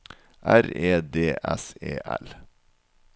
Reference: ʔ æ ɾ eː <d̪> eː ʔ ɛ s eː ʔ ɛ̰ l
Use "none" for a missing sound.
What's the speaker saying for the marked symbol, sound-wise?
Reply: d̪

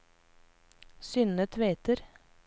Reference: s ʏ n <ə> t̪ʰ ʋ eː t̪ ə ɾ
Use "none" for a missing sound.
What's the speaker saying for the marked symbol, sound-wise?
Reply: ə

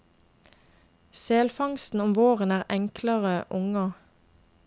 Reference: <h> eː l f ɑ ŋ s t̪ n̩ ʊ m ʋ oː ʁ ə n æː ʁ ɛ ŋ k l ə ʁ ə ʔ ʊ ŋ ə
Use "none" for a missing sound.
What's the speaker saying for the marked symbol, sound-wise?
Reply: s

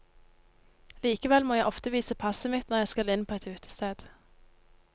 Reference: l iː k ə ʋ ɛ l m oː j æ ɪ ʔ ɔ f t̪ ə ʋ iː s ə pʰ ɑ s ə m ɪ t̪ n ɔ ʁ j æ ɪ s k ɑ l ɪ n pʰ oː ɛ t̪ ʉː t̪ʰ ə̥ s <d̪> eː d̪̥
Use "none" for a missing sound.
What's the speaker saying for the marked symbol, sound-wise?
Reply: t̪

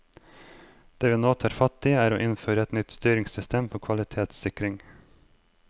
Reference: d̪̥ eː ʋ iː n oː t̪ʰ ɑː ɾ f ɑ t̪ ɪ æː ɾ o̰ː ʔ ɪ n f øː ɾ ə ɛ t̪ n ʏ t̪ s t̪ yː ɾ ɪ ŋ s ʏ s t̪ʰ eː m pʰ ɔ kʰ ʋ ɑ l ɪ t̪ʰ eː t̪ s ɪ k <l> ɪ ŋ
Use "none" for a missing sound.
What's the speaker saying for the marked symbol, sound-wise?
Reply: ɾ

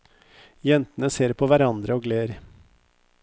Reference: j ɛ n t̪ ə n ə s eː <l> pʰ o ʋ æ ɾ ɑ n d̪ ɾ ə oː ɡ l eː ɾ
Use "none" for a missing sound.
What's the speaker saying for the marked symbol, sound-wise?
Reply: ɾ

